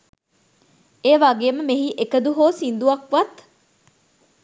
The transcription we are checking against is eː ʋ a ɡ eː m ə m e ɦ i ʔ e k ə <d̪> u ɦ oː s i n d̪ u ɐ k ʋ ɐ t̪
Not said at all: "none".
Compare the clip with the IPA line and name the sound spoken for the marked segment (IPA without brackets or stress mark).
d̪